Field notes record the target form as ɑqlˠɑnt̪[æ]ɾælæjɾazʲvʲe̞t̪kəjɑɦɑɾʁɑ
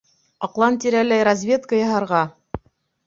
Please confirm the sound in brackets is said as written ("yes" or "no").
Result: no